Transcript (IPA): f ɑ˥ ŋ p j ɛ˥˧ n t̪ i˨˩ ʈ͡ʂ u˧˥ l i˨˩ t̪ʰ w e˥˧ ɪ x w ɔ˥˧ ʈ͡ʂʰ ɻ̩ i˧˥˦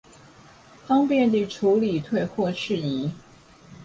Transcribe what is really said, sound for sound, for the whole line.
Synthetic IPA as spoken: f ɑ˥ ŋ p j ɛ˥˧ n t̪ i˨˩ ʈ͡ʂʰ u˧˥ l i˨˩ t̪ʰ w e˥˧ ɪ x w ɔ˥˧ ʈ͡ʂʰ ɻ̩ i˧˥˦